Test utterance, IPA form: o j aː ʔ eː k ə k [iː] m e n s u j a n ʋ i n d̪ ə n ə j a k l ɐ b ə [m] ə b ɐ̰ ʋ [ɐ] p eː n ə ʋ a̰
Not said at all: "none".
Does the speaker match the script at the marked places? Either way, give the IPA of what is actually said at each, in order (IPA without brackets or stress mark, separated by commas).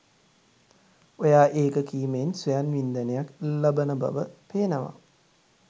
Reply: iː, n, ə